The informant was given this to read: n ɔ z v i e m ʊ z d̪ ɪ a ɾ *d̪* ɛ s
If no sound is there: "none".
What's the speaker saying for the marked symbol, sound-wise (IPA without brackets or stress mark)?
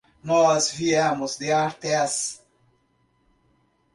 t̪